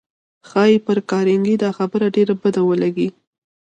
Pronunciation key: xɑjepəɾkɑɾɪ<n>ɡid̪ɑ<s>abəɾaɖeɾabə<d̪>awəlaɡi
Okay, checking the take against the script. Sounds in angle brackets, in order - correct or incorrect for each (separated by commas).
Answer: incorrect, incorrect, correct